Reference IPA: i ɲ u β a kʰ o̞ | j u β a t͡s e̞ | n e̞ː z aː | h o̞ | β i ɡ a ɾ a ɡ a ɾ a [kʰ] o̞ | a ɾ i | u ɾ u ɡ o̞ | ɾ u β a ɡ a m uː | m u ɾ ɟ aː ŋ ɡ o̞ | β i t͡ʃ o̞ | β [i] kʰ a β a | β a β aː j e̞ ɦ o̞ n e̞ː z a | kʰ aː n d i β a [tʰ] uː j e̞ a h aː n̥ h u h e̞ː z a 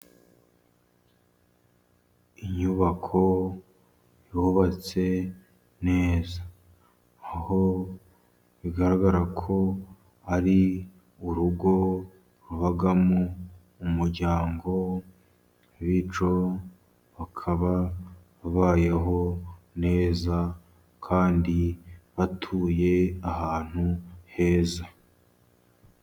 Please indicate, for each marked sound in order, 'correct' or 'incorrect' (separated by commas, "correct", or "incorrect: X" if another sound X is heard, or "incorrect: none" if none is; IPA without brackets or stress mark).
correct, incorrect: a, correct